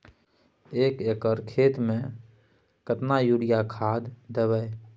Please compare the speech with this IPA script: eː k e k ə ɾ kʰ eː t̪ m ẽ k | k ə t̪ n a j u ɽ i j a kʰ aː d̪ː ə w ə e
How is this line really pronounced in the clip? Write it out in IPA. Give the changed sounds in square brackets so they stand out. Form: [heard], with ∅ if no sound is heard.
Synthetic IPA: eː k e k ə ɾ kʰ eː t̪ m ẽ [∅] | k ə t̪ n a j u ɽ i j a kʰ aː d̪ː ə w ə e